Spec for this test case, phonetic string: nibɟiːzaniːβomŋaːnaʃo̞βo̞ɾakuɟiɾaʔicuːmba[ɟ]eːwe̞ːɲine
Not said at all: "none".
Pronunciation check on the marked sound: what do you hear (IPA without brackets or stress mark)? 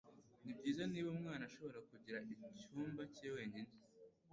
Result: c